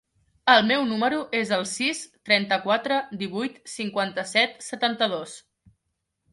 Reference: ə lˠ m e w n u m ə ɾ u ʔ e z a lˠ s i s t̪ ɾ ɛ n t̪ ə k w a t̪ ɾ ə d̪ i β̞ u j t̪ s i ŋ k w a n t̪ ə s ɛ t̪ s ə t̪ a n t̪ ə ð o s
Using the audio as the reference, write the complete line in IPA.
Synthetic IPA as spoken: ə lˠ m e w n u m ə ɾ u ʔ e z ə lˠ s i s t̪ ɾ ɛ n t̪ ə k w a t̪ ɾ ə d̪ i β̞ u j t̪ s i ŋ k w a n t̪ ə s ɛ t̪ s ə t̪ a n t̪ ə ð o s